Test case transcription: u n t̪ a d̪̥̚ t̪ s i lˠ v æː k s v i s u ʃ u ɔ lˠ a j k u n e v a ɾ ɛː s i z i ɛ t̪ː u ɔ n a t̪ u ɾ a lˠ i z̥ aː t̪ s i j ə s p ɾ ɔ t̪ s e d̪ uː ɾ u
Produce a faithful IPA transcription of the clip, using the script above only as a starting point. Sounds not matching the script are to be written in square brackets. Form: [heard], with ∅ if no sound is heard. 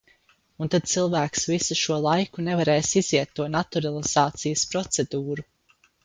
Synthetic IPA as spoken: u n t̪ a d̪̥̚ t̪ s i lˠ v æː k s v i s u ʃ u ɔ lˠ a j k u n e v a ɾ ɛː s i z i ɛ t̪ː u ɔ n a t̪ u ɾ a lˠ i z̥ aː t̪ s i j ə s p ɾ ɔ t̪ s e d̪ uː ɾ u